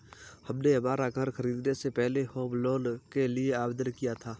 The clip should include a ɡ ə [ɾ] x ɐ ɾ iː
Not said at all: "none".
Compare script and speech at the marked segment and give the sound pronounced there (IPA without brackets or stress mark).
ɾ